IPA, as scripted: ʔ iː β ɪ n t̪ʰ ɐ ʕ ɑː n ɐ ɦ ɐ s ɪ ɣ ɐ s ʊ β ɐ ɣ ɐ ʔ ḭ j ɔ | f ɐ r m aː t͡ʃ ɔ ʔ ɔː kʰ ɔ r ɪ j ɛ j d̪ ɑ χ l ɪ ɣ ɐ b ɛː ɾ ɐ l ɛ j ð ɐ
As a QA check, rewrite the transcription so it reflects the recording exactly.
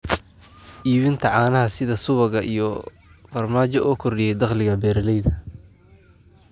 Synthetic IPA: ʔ iː β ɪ n t̪ʰ ɐ ʕ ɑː n ɐ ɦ ɐ s ɪ ð ɐ s ʊ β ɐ ɣ ɐ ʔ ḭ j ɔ | f ɐ r m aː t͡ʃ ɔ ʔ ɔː kʰ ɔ r ɪ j ɛ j d̪ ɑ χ l ɪ ɣ ɐ b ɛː ɾ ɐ l ɛ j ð ɐ